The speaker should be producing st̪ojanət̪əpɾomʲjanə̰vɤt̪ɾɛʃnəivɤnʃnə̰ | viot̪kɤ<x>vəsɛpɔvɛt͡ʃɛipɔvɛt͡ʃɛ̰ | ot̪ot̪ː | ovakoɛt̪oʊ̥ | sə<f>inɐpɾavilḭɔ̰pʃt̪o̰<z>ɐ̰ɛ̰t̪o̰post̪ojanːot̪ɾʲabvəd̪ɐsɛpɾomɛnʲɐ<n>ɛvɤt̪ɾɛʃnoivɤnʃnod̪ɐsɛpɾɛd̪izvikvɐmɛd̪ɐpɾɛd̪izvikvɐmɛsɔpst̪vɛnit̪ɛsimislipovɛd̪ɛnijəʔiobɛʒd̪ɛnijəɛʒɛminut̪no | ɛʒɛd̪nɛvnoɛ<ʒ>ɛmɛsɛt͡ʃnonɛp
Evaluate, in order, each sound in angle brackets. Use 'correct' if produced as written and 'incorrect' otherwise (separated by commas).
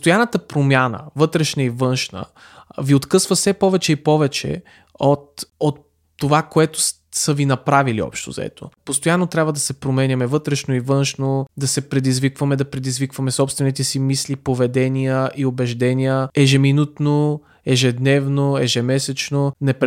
incorrect, incorrect, correct, incorrect, correct